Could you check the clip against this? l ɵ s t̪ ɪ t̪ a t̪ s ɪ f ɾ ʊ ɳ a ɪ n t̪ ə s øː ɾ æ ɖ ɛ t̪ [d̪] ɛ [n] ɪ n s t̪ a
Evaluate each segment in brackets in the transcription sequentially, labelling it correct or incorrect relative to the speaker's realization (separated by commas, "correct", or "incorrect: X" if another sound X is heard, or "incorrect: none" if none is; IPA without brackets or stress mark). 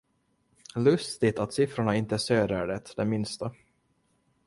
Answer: correct, incorrect: m